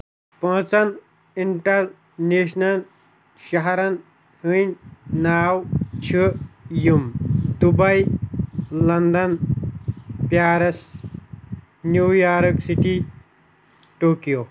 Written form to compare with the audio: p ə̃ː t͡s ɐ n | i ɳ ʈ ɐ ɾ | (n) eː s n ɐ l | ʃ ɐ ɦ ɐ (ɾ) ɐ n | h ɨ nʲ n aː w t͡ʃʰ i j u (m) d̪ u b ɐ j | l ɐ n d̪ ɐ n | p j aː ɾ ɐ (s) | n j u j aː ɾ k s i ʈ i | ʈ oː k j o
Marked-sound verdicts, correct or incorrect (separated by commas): correct, correct, correct, correct